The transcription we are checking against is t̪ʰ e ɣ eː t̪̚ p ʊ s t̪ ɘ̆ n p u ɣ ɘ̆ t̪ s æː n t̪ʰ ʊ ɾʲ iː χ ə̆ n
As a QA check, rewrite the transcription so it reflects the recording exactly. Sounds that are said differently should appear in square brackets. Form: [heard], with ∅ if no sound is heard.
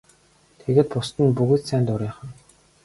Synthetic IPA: t̪ʰ e ɣ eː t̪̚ p ʊ s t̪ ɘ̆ n p u ɣ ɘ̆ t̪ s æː n [t̪] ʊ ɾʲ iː χ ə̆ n

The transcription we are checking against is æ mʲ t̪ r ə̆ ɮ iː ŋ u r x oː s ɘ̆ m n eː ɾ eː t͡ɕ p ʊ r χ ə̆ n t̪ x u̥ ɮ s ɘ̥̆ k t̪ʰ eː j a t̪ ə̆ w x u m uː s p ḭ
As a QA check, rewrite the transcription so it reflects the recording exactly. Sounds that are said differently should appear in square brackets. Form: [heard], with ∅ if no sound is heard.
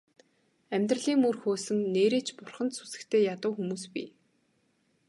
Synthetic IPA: æ mʲ t̪ r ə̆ ɮ iː ŋ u r x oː s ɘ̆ [ŋ] n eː ɾ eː t͡ɕ p ʊ r χ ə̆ n t̪ [s] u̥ [∅] s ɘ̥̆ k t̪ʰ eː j a t̪ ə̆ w x u m uː s p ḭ

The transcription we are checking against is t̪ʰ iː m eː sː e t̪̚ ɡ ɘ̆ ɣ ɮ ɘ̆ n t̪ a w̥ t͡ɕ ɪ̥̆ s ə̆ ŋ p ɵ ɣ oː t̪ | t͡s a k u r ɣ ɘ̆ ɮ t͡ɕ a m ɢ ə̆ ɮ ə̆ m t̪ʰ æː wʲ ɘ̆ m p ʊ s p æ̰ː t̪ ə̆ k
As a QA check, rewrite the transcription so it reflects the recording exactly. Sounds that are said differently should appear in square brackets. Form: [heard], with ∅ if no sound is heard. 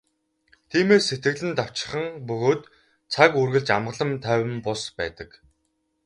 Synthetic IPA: t̪ʰ iː m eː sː e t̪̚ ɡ ɘ̆ ɣ ɮ ɘ̆ n t̪ a w̥ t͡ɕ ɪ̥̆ [χ] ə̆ ŋ p ɵ ɣ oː t̪ | [t͡sʰ] a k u r ɣ ɘ̆ ɮ t͡ɕ a m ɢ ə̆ ɮ ə̆ m t̪ʰ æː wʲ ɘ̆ m p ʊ s p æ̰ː t̪ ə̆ k

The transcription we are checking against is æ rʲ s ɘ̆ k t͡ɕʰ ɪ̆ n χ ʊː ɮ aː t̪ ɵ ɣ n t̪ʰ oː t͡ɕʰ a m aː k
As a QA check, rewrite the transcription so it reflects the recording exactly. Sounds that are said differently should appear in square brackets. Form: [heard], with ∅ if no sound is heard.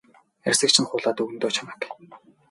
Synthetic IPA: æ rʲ s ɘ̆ k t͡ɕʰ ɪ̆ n χ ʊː ɮ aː t̪ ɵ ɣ n [t̪] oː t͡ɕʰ a m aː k

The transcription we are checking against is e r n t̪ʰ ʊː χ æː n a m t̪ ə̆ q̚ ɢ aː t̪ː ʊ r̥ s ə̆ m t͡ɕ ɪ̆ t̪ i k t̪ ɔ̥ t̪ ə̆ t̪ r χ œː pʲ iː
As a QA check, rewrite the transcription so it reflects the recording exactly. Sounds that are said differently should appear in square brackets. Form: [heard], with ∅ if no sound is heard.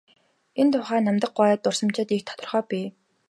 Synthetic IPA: e [∅] n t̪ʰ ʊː χ æː n a m t̪ ə̆ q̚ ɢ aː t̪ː ʊ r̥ s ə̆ m t͡ɕ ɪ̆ t̪ i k [t̪ʰ] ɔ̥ t̪ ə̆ [∅] r χ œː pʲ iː

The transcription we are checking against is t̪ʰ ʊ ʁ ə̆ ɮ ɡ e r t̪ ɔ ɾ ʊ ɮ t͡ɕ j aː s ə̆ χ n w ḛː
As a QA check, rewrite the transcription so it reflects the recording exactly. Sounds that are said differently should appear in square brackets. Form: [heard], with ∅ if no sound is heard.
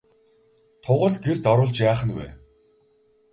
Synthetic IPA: t̪ʰ ʊ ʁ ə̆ ɮ ɡ e r t̪ ɔ ɾ [ʊː] ɮ t͡ɕ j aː [χ] ə̆ [∅] n w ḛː

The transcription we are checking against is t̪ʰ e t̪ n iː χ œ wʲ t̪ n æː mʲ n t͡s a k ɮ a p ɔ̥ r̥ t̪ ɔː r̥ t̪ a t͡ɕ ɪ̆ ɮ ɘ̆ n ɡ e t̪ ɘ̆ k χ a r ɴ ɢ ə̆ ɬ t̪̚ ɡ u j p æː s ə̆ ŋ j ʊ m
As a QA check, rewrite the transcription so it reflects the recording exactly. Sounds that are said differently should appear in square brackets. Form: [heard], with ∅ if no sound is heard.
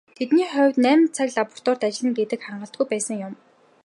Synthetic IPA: t̪ʰ e t̪ n iː χ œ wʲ t̪ n æː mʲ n [t͡sʰ] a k ɮ a p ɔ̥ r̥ t̪ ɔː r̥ t̪ a t͡ɕ ɪ̆ ɮ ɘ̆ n ɡ e t̪ ɘ̆ k χ a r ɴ ɢ ə̆ ɬ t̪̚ ɡ u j p æː s ə̆ ŋ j ʊ m

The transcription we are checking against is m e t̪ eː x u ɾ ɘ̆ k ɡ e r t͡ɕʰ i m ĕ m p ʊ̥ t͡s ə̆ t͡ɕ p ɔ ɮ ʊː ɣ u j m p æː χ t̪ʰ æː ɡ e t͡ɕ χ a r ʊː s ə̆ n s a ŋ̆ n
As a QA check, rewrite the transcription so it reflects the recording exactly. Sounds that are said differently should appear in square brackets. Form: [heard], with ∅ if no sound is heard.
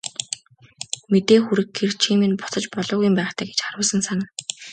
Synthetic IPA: m e t̪ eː x u ɾ ɘ̆ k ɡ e r t͡ɕʰ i m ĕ [n] p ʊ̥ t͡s ə̆ t͡ɕ p ɔ ɮ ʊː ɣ u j m p æː χ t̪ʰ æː ɡ e t͡ɕ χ a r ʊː s ə̆ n s a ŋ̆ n

